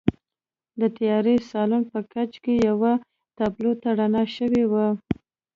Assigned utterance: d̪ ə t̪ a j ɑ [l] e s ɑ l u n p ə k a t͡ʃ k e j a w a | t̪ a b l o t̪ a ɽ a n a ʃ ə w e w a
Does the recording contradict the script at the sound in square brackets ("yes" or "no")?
yes